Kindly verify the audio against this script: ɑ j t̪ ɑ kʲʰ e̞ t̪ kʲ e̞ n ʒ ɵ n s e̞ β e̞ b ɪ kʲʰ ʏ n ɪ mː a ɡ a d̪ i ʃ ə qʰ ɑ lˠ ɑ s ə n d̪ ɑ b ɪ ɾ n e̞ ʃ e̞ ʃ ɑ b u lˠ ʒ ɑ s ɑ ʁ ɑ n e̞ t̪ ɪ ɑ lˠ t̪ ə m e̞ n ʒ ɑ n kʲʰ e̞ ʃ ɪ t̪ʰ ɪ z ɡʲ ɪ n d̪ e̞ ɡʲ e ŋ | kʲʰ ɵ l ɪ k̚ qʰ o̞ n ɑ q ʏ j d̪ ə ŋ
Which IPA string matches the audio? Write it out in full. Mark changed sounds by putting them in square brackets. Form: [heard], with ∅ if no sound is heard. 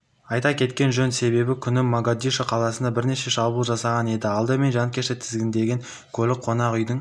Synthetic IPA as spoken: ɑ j t̪ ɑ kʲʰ e̞ t̪ kʲ e̞ n ʒ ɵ n s e̞ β e̞ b ɪ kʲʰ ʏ n ɪ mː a ɡ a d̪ i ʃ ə qʰ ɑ lˠ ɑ s ə n d̪ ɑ b ɪ ɾ n e̞ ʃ e̞ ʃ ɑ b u lˠ ʒ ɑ s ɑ ʁ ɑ n e̞ [d̪] ɪ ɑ lˠ [d̪] ə m e̞ n ʒ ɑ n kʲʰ e̞ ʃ ɪ t̪ʰ ɪ z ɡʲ ɪ n d̪ e̞ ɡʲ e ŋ | kʲʰ ɵ l ɪ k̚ qʰ o̞ n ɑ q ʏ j d̪ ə ŋ